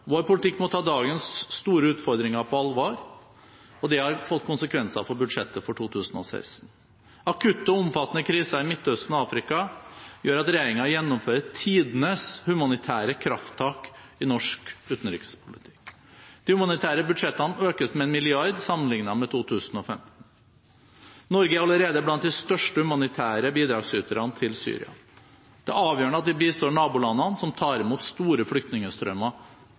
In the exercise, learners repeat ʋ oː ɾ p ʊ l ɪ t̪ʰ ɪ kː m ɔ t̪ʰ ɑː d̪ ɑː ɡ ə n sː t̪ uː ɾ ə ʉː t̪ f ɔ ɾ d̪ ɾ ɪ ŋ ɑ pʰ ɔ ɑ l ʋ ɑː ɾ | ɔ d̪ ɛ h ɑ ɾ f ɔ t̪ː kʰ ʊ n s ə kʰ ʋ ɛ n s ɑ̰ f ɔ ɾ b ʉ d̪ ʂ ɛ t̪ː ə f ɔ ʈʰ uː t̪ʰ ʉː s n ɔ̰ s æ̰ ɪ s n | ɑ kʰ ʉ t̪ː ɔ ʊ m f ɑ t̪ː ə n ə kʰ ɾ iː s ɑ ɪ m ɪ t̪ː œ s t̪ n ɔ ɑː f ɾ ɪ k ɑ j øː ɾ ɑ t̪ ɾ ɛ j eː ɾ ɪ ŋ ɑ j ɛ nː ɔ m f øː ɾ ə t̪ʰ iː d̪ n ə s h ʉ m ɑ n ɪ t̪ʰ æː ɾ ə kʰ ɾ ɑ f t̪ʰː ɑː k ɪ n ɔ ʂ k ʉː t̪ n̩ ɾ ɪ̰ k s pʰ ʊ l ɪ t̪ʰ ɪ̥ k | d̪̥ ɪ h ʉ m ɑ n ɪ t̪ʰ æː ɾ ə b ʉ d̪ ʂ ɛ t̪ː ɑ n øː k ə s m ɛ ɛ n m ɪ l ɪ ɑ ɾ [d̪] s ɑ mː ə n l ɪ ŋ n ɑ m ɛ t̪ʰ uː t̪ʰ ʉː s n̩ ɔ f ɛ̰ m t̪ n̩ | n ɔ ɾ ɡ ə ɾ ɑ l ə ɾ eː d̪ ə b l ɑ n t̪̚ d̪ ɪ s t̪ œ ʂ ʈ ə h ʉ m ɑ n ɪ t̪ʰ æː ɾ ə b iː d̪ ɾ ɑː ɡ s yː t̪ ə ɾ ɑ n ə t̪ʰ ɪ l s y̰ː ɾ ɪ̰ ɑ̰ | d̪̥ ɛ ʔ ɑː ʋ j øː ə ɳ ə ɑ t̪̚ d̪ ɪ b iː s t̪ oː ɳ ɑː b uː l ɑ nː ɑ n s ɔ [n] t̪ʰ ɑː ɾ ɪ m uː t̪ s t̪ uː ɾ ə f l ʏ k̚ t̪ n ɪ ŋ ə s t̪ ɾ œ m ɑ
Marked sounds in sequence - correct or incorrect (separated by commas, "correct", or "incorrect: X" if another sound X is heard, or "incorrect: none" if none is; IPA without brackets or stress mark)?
correct, incorrect: m